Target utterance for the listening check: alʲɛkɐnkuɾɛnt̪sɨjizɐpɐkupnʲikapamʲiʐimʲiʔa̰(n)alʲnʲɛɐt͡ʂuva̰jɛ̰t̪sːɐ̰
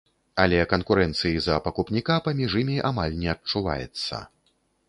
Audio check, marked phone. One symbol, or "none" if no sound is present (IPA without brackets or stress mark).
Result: m